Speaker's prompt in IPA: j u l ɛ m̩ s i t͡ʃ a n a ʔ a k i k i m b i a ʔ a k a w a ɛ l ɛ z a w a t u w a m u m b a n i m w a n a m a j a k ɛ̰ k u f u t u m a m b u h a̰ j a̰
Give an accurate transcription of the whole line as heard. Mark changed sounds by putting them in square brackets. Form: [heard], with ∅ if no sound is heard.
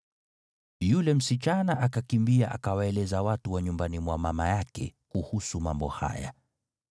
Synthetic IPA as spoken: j u l ɛ m̩ s i t͡ʃ a n a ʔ a k [a] k i m b i a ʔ a k a w a ɛ l ɛ z a w a t u w a [ɲ] u m b a n i m w a [m] a m a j a k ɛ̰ k u [h] u [s] u m a m b [ɔ] h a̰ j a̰

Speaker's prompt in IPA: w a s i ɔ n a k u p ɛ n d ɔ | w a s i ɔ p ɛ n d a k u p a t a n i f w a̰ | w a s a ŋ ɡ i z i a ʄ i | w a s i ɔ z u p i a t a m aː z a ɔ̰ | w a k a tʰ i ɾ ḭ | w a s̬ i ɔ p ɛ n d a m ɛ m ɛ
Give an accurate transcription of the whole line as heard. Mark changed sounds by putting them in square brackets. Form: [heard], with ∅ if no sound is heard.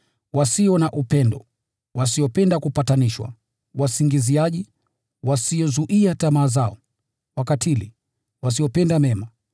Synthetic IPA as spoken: w a s i ɔ n a [ʔ] u p ɛ n d ɔ | w a s i ɔ p ɛ n d a k u p a t a n i [ʃ] w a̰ | w a s [i] ŋ ɡ i z i a ʄ i | w a s i ɔ z u [ʔ] i a t a m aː z a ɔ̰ | w a k a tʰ i [l] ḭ | w a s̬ i ɔ p ɛ n d a m ɛ m [a]

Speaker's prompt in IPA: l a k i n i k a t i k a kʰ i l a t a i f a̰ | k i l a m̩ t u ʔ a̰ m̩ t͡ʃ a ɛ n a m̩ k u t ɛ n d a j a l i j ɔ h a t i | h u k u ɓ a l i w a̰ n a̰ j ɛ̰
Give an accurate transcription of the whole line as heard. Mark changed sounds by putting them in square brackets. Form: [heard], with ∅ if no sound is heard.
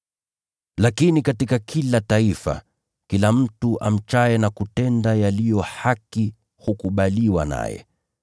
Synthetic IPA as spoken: l a k i n i k a t i k a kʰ i l a t a i f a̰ | k i l a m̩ t u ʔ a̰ m̩ t͡ʃ a ɛ n a [∅] k u t ɛ n d a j a l i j ɔ h a [k] i | h u k u ɓ a l i w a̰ n a̰ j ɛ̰

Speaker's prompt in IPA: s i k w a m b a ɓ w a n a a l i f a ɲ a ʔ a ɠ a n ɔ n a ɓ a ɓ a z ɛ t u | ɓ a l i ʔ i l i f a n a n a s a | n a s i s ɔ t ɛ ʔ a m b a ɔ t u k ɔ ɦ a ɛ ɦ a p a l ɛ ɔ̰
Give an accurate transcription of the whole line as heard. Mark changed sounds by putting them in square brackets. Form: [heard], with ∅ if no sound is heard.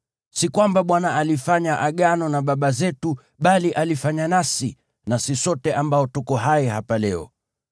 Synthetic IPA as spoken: s i k w a m b a ɓ w a n a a l i f a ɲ a ʔ a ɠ a n ɔ n a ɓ a ɓ a z ɛ t u | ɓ a l i ʔ [a] l i f a [ɲ] a n a s [i] | n a s i s ɔ t ɛ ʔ a m b a ɔ t u k ɔ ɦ a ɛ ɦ a p a l ɛ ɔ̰

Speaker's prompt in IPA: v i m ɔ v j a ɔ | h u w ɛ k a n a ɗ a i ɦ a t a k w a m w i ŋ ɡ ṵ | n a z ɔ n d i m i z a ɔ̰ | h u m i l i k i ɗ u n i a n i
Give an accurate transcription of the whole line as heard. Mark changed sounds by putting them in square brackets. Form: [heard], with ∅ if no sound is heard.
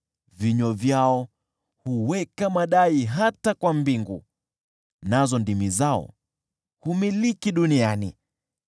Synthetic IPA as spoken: v i [ɲ] ɔ v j a ɔ | h u w ɛ k a [m] a ɗ a i ɦ a t a k w a m [b] i ŋ ɡ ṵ | n a z ɔ n d i m i z a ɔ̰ | h u m i l i k i ɗ u n i a n i

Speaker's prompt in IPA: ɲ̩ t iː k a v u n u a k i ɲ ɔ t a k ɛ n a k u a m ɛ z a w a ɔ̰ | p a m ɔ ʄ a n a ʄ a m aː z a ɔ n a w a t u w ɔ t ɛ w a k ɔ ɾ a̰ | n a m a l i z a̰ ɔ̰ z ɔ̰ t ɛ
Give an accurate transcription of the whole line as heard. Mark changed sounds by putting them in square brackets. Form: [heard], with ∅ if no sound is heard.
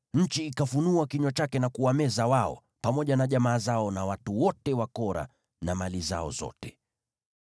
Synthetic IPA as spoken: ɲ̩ [t͡ʃ] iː k a [f] u n u a k i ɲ ɔ [t͡ʃ] a k ɛ n a k u a m ɛ z a w a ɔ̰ | p a m ɔ ʄ a n a ʄ a m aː z a ɔ n a w a t u w ɔ t ɛ w a k ɔ ɾ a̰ | n a m a l i z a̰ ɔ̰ z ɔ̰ t ɛ

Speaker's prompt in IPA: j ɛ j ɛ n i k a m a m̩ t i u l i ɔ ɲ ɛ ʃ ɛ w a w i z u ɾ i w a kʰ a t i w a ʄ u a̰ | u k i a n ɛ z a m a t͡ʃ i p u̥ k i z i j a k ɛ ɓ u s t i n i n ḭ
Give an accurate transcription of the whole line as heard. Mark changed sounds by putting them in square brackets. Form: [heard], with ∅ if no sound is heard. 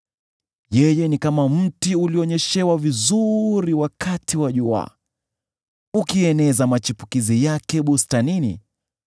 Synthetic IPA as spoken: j ɛ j ɛ n i k a m a m̩ t i u l i ɔ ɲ ɛ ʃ ɛ w a [v] i z u ɾ i w a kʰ a t i w a ʄ u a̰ | u k i [ɛ] n ɛ z a m a t͡ʃ i p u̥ k i z i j a k ɛ ɓ u s t [a] n i n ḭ

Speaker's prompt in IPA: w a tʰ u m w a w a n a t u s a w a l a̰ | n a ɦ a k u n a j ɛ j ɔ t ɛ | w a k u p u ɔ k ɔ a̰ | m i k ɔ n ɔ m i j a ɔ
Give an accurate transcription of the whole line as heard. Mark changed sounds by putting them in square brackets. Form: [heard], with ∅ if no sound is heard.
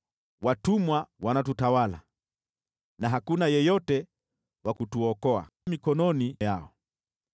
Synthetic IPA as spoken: w a [t] u m w a w a n a t u [t] a w a l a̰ | n a ɦ a k u n a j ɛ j ɔ t ɛ | w a k u [t] u ɔ k ɔ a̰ | m i k ɔ n ɔ [n] i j a ɔ

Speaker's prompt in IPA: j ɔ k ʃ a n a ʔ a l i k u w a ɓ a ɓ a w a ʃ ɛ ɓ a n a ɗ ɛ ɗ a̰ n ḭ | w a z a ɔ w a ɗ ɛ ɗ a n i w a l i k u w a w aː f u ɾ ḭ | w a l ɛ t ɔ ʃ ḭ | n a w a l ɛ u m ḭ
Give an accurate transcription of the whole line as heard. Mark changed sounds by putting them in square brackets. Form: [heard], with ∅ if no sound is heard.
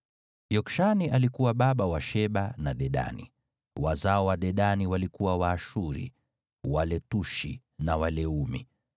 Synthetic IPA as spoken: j ɔ k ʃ a n [i] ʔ a l i k u w a ɓ a ɓ a w a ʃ ɛ ɓ a n a ɗ ɛ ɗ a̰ n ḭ | w a z a ɔ w a ɗ ɛ ɗ a n i w a l i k u w a w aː [ʃ] u ɾ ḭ | w a l ɛ t [u] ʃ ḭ | n a w a l ɛ u m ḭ

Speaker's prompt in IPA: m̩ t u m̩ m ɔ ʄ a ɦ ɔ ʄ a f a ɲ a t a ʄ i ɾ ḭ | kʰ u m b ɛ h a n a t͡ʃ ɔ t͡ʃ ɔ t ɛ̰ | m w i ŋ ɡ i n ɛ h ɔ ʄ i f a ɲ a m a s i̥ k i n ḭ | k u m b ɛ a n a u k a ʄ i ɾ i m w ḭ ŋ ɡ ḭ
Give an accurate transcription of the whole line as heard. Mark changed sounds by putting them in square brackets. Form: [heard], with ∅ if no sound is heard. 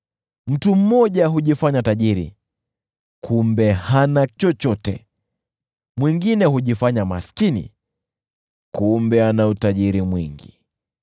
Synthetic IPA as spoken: m̩ t u m̩ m ɔ ʄ a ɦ [u] ʄ [i] f a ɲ a t a ʄ i ɾ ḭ | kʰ u m b ɛ h a n a t͡ʃ ɔ t͡ʃ ɔ t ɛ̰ | m w i ŋ ɡ i n ɛ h [u] ʄ i f a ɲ a m a s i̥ k i n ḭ | k u m b ɛ a n a u [t] a ʄ i ɾ i m w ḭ ŋ ɡ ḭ

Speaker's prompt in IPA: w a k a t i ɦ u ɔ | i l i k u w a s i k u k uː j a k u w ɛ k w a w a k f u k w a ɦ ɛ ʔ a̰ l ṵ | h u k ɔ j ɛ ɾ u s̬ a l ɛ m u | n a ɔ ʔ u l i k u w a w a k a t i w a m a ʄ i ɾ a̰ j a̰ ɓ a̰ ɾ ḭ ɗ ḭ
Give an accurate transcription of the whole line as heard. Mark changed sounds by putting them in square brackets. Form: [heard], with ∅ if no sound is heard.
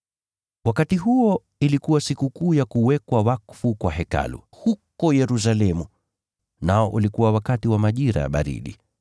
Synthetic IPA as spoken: w a k a t i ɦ u ɔ | i l i k u w a s i k u k uː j a k u w ɛ k w a w a k f u k w a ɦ ɛ [k] a̰ l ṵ | h u k ɔ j ɛ ɾ u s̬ a l ɛ m u | n a ɔ ʔ u l i k u w a w a k a t i w a m a ʄ i ɾ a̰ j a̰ ɓ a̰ ɾ ḭ ɗ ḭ

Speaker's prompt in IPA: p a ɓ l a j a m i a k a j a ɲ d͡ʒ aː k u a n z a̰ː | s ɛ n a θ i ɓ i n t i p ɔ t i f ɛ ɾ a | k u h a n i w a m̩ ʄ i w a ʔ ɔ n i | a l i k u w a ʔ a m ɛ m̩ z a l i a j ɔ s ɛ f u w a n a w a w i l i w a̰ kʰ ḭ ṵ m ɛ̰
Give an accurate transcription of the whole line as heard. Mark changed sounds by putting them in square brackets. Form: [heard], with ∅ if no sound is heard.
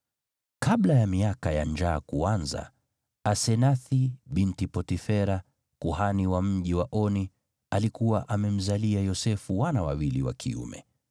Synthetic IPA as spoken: [k] a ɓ l a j a m i a k a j a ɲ d͡ʒ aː k u a n z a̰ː | s ɛ n a θ i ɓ i n t i p ɔ t i f ɛ ɾ a | k u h a n i w a m̩ ʄ i w a ʔ ɔ n i | a l i k u w a ʔ a m ɛ m̩ z a l i a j ɔ s ɛ f u w a n a w a w i l i w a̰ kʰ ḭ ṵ m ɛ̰

